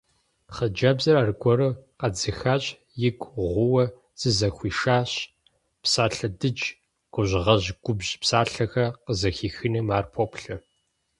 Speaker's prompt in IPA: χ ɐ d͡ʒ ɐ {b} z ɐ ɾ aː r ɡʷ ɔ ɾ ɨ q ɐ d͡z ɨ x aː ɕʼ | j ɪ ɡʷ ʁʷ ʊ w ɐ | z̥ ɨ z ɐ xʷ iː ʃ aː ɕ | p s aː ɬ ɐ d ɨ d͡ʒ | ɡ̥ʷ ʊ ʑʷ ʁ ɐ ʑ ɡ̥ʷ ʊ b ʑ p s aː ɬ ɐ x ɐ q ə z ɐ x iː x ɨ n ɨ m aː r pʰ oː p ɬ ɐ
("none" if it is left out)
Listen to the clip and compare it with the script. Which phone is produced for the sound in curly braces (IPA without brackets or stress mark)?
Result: b